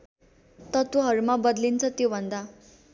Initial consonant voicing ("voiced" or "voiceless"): voiceless